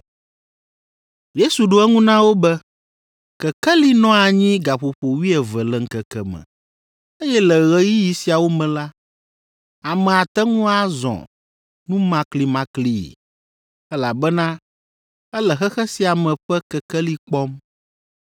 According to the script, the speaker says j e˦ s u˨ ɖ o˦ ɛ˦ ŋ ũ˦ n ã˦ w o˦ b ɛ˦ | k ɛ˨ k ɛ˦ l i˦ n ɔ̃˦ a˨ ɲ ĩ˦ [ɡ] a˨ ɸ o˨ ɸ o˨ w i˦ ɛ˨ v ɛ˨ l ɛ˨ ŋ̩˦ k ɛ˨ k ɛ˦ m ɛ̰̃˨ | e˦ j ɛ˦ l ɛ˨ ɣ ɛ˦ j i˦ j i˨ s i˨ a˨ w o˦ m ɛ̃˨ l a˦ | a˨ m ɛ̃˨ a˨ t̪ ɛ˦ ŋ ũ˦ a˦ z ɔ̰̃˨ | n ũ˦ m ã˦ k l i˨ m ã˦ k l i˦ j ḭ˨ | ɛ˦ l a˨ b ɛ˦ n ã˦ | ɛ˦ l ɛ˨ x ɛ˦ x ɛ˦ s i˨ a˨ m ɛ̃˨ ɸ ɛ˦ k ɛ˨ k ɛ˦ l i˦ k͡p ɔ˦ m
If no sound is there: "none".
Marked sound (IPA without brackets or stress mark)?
ɡ